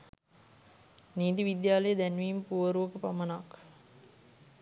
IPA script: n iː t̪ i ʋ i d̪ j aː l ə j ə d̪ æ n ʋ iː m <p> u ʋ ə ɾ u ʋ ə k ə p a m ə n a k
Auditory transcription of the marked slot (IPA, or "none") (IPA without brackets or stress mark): p